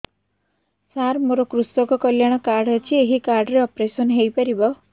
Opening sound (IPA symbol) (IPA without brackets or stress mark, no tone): s